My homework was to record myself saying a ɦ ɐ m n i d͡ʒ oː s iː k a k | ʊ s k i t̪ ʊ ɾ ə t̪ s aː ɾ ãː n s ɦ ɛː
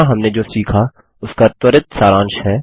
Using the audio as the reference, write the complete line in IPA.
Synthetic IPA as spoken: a ɦ ɐ m n e d͡ʒ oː s iː kʰ a | ʊ s k a t̪ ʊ ɾ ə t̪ s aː ɾ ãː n ʃ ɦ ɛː